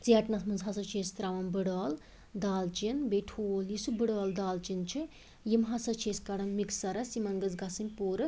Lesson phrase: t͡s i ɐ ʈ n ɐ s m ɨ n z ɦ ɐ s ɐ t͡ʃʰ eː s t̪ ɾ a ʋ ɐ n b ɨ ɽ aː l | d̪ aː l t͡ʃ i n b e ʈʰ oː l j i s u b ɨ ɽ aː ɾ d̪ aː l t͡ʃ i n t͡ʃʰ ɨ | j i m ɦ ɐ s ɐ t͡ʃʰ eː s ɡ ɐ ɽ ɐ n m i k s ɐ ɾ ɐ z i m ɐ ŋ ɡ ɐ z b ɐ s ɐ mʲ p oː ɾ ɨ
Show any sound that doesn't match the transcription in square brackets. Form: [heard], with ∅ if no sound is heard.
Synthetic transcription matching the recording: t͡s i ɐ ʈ n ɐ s m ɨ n z ɦ ɐ s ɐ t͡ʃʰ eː s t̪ ɾ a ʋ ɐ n b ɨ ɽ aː l | d̪ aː l t͡ʃ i n b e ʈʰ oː l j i s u b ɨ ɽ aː [l] d̪ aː l t͡ʃ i n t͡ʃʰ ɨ | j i m ɦ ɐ s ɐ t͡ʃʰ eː s [k] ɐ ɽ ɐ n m i k s ɐ ɾ ɐ [s] i m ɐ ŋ ɡ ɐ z [ɡ] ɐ s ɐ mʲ p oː ɾ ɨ